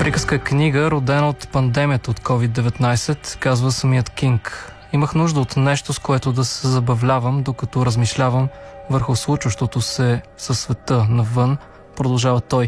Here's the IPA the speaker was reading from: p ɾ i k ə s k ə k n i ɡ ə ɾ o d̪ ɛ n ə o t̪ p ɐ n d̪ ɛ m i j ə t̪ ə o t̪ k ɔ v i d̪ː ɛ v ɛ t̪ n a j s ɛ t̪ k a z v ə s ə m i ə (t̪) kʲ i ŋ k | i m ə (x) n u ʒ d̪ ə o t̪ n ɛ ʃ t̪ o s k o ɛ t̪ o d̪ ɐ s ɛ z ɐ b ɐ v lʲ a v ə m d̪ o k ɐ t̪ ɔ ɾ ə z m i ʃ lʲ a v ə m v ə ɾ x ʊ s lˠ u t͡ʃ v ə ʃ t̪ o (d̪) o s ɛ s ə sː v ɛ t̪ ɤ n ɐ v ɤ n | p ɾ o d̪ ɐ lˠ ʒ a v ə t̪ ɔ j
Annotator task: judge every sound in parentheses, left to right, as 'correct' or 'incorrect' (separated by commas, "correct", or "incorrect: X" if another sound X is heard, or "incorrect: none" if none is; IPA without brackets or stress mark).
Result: correct, correct, incorrect: t̪